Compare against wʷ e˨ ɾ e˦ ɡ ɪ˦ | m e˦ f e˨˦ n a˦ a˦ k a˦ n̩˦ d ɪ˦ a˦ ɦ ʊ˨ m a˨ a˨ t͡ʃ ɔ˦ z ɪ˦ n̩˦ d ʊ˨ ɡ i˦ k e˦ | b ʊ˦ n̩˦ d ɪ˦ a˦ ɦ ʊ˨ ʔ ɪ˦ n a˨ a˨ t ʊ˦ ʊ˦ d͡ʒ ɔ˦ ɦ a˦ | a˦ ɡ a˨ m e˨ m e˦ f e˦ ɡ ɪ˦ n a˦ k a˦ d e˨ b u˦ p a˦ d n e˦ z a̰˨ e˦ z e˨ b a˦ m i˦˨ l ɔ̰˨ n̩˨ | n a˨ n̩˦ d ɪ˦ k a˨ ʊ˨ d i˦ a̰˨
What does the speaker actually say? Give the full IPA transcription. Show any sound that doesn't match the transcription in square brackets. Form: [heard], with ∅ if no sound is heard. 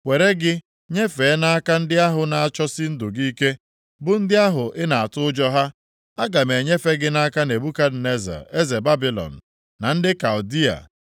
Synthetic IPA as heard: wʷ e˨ ɾ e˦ ɡ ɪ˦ | [ɲ] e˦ f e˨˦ n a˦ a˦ k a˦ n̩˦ d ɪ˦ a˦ ɦ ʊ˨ [n] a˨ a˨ t͡ʃ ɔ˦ [s] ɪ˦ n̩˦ d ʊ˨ ɡ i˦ k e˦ | b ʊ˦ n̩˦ d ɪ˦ a˦ ɦ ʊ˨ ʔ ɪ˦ n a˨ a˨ t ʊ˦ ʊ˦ d͡ʒ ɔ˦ ɦ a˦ | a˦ ɡ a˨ m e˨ [ɲ] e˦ f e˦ ɡ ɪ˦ n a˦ k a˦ [n] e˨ b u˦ [k] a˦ d n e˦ z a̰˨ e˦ z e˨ b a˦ [b] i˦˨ l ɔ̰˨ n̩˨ | n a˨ n̩˦ d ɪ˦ k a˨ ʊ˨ d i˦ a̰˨